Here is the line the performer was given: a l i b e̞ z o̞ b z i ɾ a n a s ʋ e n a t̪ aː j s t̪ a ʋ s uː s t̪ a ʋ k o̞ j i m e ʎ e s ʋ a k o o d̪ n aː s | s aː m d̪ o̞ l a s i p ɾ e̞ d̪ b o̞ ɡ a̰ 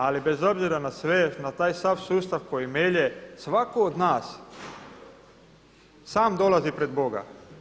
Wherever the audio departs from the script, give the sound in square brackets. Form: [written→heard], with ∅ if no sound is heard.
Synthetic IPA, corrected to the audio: a l i b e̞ z o̞ b z i ɾ a n a s ʋ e n a t̪ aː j s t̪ a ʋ s uː s t̪ a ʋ k o̞ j i m e ʎ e s ʋ a k o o d̪ n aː s | s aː m d̪ o̞ l a [s→z] i p ɾ e̞ d̪ b o̞ ɡ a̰